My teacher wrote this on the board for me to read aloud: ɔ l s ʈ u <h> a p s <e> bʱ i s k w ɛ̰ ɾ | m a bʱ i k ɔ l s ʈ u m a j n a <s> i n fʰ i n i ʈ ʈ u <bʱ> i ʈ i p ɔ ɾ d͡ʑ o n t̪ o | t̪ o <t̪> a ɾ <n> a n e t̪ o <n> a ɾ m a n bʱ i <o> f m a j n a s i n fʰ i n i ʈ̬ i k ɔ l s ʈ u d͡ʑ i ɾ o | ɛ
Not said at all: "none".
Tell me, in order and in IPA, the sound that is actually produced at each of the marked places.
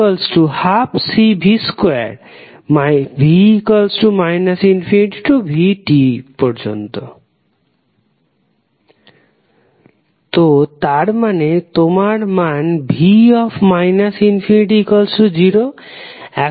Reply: h, i, s, bʱ, t̪, m, m, ɔ

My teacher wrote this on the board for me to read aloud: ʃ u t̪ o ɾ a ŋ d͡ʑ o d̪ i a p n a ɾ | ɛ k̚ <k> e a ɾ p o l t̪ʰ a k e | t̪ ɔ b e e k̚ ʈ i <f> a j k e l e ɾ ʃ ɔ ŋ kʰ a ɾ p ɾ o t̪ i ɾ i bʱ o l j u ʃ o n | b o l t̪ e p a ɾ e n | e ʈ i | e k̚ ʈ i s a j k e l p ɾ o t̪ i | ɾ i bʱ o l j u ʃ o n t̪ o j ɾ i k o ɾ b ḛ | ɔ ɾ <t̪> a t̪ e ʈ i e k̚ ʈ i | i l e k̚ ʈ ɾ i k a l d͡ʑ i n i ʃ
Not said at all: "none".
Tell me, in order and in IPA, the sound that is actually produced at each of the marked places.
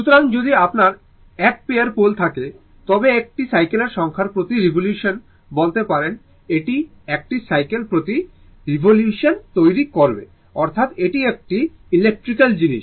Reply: p, s, t̪ʰ

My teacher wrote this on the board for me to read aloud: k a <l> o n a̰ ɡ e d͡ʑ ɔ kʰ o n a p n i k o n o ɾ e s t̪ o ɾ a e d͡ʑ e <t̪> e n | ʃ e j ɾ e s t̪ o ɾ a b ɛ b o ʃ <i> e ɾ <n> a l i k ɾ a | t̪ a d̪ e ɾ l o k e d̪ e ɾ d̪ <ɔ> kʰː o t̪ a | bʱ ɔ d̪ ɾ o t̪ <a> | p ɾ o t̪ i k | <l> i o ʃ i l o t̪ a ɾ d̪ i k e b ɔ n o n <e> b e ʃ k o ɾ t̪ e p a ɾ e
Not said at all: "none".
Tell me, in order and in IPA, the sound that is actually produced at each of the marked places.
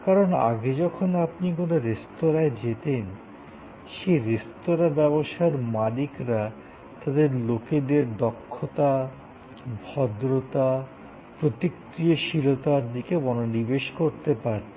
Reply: ɾ, t̪, a, m, ɔ, a, ɾ, i

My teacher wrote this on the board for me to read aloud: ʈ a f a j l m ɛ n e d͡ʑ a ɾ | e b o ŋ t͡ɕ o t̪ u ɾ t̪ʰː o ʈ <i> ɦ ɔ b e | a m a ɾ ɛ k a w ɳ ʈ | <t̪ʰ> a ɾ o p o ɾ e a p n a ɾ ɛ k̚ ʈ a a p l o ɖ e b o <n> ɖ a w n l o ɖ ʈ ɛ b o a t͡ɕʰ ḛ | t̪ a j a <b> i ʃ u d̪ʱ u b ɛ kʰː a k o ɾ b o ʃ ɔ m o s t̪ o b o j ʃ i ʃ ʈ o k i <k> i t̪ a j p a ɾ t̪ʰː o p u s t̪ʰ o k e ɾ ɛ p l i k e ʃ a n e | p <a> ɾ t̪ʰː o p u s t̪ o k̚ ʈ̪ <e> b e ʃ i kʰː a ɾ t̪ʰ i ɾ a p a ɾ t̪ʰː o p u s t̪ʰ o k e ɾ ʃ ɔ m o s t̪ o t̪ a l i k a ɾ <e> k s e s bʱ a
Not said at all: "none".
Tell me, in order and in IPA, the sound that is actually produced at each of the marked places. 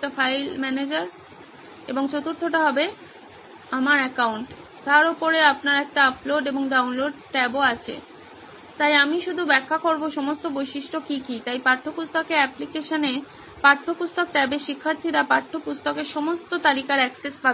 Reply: a, t̪, ŋ, m, k, a, ɛ, ɛ

